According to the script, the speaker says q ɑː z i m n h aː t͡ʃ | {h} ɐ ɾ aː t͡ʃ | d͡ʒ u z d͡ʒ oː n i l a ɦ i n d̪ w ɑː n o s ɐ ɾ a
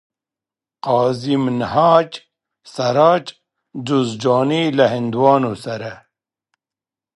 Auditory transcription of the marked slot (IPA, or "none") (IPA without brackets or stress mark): s